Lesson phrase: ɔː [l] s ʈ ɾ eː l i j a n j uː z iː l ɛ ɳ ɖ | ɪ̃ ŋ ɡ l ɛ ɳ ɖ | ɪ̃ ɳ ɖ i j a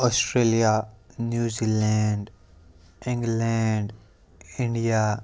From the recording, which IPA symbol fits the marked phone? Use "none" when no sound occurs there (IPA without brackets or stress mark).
none